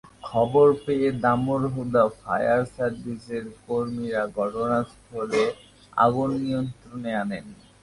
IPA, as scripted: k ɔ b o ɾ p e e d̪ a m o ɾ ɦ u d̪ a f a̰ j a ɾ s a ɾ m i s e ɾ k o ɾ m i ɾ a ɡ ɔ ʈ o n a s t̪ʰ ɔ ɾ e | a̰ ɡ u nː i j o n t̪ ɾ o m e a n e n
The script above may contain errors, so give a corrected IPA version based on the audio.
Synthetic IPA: kʰ ɔ b o ɾ p e e d̪ a m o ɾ ɦ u d̪ a f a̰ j a ɾ s a ɾ b i s e ɾ k o ɾ m i ɾ a ɡ ɔ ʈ o n a s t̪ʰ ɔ l e | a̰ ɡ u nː i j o n t̪ ɾ o n e a n e n